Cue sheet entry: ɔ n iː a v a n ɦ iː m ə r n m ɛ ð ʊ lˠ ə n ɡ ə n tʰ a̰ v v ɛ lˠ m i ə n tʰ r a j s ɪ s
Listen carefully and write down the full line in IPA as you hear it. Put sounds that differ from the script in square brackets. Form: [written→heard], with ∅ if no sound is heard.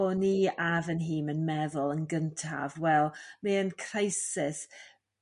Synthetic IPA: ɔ n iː a v [a→ə] n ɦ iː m ə [r→∅] n m ɛ ð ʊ lˠ ə n ɡ ə n tʰ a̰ v [v→w] ɛ lˠ m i ə n [tʰ→kʰ] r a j s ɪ s